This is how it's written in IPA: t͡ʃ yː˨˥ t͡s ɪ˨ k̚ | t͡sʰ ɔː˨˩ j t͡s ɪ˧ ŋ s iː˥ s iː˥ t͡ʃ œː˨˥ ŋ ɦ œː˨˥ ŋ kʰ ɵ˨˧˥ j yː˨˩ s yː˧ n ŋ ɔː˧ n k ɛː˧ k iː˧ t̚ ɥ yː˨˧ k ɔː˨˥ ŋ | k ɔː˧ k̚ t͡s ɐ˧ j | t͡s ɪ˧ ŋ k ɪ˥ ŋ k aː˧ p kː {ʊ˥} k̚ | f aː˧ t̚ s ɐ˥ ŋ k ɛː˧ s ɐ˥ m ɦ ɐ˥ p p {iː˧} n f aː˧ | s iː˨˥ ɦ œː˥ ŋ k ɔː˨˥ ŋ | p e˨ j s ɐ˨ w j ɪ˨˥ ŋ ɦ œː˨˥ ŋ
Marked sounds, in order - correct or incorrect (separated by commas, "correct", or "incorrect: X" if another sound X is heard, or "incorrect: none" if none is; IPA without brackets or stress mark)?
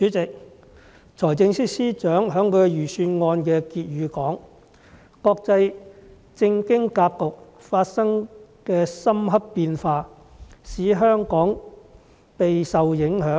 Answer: incorrect: ʊ˨, correct